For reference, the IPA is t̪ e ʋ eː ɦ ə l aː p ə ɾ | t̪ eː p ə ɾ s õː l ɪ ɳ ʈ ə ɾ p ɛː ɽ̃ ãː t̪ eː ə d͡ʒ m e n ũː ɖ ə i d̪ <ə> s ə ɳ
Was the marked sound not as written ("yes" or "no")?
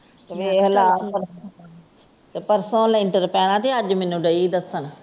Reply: no